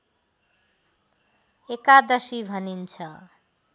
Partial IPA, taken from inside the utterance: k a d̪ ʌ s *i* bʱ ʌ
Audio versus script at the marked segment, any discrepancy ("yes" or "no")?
no